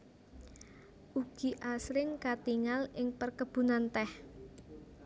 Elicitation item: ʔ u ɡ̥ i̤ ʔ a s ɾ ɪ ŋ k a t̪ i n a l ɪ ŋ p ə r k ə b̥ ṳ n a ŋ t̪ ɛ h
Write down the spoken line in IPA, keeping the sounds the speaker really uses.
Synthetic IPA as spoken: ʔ u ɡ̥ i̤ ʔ a s ɾ ɪ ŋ k a t̪ i ŋ a l ɪ ŋ p ə r k ə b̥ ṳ n a n t̪ ɛ h